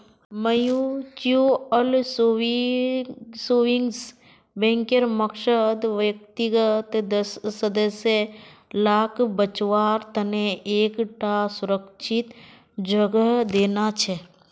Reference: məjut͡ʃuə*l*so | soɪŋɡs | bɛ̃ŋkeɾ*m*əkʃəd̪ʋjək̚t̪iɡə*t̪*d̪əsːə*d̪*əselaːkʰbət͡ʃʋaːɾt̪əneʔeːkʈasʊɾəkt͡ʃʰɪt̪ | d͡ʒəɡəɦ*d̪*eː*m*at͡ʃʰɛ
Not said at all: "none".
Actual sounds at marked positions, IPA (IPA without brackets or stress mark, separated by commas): l, m, t̪, d̪, d̪, n